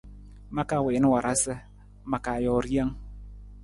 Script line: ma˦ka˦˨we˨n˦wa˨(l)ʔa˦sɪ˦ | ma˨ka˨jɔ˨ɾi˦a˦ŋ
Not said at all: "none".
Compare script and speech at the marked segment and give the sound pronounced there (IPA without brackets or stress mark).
ɾ